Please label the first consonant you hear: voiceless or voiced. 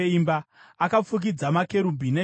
voiced